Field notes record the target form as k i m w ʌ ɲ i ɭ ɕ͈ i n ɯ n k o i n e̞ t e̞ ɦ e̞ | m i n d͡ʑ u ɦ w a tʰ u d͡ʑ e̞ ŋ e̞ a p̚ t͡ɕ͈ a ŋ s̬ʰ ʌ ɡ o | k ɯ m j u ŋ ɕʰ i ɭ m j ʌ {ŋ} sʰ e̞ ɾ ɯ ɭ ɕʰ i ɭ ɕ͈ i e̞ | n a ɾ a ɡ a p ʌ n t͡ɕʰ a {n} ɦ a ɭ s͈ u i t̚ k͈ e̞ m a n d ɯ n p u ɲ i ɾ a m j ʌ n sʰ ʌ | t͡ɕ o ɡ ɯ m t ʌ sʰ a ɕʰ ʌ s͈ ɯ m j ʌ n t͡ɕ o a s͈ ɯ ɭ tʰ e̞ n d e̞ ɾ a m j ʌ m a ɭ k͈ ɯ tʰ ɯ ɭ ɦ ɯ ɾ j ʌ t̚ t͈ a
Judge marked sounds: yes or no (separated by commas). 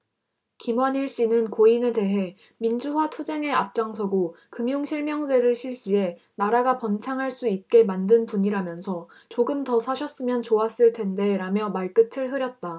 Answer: yes, no